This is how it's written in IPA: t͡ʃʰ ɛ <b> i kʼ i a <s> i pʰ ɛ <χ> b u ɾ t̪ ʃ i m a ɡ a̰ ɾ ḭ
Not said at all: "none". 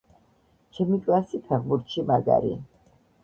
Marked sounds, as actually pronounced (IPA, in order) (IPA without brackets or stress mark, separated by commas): m, s, ʁ